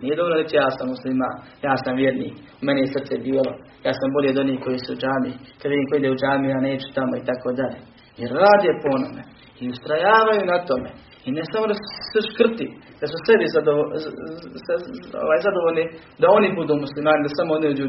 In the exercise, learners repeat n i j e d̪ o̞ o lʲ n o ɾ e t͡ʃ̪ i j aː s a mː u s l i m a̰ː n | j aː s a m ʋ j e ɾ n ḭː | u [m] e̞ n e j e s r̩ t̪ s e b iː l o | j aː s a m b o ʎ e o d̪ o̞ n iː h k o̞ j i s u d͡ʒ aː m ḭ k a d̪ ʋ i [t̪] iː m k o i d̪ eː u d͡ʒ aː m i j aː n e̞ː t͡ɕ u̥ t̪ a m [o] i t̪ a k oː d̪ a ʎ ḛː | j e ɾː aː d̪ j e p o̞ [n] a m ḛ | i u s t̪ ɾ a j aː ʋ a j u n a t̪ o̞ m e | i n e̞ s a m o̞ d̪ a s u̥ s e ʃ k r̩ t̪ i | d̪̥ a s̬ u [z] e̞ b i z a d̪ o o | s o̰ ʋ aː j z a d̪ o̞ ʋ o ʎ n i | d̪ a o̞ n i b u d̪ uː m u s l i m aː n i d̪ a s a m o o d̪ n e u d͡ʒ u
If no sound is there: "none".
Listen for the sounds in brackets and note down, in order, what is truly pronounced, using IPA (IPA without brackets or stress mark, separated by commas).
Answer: m, d̪, o, n, s